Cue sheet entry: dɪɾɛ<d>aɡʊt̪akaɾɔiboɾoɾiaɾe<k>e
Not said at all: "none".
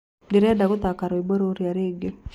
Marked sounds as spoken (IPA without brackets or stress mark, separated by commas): d, ɡ